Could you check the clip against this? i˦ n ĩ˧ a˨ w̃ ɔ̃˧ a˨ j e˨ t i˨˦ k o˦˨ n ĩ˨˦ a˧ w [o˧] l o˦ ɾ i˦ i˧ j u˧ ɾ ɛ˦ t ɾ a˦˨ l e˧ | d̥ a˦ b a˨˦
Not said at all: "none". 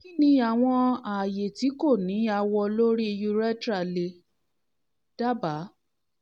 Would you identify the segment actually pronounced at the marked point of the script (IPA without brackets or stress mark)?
ɔ˧